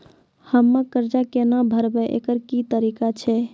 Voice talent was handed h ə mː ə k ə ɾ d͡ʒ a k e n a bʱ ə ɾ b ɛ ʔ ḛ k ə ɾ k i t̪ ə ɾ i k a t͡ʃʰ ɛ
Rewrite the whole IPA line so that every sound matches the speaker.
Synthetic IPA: h ə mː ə k ə ɾ d͡ʒ a k e n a bʱ ə ɾ b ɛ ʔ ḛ k ə ɾ k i t̪ ə ɾ i k a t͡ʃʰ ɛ